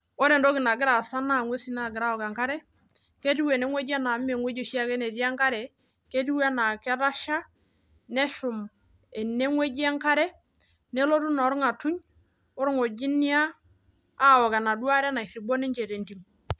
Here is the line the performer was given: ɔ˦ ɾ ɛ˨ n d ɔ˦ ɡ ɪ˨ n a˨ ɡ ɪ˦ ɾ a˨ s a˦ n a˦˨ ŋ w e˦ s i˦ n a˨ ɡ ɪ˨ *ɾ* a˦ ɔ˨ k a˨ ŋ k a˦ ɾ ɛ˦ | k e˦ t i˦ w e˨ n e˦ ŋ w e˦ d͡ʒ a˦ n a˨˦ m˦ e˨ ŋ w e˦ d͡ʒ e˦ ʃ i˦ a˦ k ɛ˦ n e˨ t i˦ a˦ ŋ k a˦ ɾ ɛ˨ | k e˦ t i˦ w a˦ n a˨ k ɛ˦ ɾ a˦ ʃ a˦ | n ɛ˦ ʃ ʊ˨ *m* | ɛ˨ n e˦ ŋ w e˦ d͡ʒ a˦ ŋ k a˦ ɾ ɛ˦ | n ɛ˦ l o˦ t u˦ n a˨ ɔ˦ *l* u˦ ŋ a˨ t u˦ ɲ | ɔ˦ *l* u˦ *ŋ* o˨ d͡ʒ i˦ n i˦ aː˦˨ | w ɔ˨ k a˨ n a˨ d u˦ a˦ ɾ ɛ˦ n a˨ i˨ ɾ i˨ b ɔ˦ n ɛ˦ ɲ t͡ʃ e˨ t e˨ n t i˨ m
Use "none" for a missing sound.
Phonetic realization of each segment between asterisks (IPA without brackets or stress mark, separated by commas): ɾ, m, ɾ, ɾ, ŋ